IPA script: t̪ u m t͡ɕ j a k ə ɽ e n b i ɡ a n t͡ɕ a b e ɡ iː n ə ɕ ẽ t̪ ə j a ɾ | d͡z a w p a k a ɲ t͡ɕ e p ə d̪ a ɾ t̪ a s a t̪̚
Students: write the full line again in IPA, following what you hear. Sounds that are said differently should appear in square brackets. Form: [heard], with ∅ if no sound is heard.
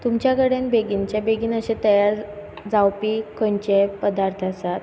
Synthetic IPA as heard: t̪ u m t͡ɕ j a k ə ɽ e n b [e] ɡ [i] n t͡ɕ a b e ɡ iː n ə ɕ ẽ t̪ ə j a ɾ | d͡z a w p [i] k [ə] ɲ t͡ɕ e p ə d̪ a ɾ [t̪ʰ] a s a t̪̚